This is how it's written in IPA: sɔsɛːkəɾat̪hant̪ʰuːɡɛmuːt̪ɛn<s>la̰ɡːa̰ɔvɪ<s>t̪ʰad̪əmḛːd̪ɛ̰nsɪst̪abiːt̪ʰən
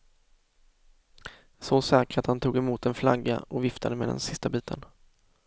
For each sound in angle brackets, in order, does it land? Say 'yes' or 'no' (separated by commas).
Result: no, no